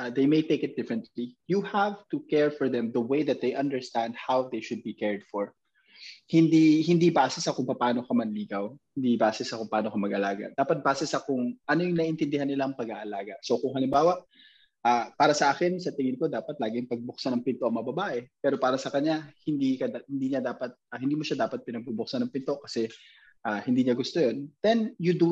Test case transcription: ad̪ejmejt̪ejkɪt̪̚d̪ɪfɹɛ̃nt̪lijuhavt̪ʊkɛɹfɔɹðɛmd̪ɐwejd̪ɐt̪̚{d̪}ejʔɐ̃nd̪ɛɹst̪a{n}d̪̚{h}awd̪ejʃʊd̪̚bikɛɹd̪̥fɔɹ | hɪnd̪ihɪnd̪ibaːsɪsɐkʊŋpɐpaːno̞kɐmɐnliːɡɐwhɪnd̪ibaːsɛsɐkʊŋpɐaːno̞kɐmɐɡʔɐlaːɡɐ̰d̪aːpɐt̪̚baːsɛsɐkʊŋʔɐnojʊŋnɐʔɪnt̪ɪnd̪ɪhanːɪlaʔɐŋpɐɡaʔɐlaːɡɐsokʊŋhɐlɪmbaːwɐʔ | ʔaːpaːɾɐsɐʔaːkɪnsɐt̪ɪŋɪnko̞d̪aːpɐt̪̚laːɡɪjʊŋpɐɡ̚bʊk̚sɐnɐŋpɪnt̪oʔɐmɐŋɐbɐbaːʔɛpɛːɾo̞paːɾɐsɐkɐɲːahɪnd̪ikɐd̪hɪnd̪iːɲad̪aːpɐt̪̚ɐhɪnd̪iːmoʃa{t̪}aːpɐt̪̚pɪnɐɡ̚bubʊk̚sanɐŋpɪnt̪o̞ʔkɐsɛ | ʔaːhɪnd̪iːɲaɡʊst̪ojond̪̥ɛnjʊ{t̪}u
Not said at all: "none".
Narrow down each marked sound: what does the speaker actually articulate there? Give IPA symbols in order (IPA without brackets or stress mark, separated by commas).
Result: d̪, n, h, d̪, d̪